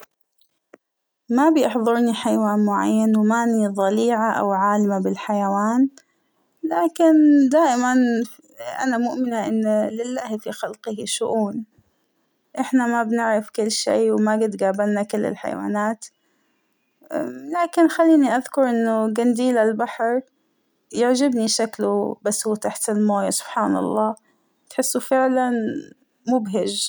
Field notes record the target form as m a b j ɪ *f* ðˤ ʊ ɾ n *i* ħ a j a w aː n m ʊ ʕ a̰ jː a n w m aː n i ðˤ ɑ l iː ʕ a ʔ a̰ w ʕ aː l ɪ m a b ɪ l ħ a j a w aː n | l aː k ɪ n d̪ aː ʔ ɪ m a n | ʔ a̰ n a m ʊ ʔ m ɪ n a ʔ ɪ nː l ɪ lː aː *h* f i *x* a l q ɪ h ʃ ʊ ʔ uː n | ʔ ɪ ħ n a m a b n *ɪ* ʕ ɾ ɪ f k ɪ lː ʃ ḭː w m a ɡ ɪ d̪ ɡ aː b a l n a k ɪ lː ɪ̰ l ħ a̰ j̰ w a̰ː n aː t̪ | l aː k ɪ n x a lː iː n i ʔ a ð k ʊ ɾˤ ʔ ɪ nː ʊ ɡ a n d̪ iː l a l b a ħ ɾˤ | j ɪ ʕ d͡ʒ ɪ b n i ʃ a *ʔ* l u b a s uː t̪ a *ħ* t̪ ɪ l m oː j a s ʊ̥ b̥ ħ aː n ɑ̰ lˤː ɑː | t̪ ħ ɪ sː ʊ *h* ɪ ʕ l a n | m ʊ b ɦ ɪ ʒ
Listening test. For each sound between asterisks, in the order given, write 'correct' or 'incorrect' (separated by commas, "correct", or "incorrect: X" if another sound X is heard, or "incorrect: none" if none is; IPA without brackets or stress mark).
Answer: incorrect: ħ, correct, correct, correct, correct, incorrect: k, correct, incorrect: f